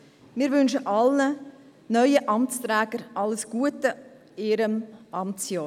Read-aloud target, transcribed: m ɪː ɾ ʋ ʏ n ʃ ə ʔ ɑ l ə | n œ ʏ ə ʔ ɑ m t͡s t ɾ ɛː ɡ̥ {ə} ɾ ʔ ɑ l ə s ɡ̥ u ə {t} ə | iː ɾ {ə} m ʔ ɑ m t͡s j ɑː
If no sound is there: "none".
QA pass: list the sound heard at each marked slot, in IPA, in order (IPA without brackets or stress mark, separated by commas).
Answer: ə, t, ə